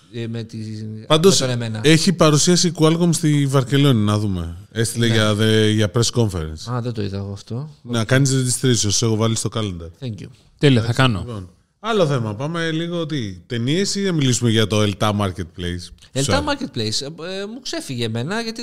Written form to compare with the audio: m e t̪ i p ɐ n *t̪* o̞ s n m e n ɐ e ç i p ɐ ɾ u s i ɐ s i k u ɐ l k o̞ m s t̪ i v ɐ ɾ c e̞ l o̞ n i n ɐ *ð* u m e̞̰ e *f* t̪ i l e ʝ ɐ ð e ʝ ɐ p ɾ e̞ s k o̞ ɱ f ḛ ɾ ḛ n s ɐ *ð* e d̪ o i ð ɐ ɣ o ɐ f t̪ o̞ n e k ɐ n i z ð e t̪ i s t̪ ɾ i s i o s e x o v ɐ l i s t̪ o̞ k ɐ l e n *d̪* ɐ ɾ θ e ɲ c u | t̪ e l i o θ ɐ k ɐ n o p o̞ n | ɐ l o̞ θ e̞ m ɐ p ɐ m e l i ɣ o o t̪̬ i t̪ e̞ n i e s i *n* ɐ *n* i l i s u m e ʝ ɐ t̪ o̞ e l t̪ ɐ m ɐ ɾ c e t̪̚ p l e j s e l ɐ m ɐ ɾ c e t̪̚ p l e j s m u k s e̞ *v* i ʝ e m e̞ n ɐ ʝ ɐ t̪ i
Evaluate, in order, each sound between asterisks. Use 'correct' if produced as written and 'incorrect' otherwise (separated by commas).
incorrect, correct, incorrect, correct, correct, correct, incorrect, incorrect